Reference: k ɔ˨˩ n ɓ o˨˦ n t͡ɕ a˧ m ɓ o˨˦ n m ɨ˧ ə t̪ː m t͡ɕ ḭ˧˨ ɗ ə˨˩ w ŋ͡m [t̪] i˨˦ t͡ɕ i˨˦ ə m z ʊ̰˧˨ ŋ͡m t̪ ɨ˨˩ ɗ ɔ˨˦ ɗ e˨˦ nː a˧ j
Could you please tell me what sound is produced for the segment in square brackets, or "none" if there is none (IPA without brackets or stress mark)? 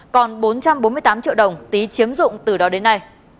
t̪